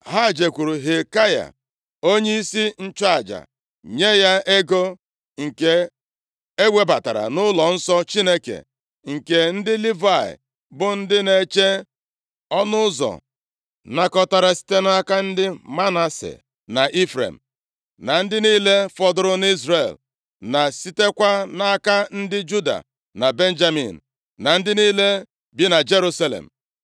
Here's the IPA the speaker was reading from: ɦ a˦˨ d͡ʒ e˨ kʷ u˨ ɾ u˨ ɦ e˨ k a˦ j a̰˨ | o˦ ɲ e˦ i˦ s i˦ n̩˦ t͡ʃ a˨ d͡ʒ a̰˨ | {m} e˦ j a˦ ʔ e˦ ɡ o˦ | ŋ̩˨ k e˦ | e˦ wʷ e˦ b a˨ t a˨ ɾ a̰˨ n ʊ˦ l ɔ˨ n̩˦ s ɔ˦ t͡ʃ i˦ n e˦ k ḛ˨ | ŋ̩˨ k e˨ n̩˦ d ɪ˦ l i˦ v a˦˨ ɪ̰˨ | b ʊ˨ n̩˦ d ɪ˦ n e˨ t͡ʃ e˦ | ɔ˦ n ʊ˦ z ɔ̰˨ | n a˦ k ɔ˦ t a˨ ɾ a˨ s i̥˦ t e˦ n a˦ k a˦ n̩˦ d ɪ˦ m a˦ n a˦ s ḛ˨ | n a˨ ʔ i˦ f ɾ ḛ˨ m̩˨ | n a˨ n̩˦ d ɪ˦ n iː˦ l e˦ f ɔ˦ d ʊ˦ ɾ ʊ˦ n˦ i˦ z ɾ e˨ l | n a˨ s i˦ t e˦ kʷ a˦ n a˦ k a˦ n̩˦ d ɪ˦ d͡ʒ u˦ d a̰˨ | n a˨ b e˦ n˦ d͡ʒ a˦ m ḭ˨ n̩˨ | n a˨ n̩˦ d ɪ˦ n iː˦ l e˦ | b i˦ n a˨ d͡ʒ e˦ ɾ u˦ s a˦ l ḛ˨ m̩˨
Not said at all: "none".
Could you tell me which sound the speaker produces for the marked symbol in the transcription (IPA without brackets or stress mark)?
ɲ